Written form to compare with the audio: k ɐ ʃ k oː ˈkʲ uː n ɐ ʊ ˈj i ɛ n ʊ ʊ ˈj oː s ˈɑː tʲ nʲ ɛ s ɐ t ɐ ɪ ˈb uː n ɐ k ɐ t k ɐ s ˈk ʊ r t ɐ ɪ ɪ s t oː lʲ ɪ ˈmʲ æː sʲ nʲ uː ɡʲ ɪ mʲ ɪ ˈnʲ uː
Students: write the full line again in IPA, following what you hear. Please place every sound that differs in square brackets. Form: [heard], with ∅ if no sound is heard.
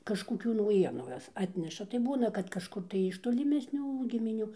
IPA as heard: k ɐ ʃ k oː ˈkʲ uː n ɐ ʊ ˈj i ɛ n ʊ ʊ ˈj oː s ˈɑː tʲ nʲ ɛ [ʃ] ɐ t ɐ ɪ ˈb uː n ɐ k ɐ t k ɐ [ʃ] ˈk ʊ r t ɐ ɪ ɪ [ʃ] t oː lʲ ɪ ˈmʲ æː sʲ nʲ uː ɡʲ ɪ mʲ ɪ ˈnʲ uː

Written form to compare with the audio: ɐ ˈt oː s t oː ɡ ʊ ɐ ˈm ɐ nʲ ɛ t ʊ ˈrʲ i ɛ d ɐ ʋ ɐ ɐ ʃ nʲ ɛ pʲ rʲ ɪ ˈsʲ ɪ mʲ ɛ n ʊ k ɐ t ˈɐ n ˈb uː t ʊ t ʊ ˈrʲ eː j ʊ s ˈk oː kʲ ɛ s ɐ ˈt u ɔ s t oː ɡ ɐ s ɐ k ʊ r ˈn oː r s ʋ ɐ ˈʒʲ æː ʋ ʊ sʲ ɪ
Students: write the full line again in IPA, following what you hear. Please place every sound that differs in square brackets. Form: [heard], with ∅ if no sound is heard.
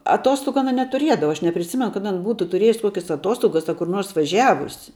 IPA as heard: ɐ ˈt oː s t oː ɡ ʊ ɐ [ˈn] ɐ nʲ ɛ t ʊ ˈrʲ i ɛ d ɐ ʋ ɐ ɐ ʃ nʲ ɛ pʲ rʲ ɪ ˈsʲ ɪ mʲ ɛ n ʊ k ɐ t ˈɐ n ˈb uː t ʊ t ʊ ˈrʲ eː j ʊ s ˈk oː kʲ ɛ s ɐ ˈt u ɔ s t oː ɡ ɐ s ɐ k ʊ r ˈn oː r s ʋ ɐ ˈʒʲ æː ʋ ʊ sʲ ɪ

